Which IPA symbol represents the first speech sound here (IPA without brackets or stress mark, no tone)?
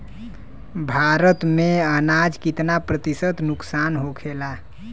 bʱ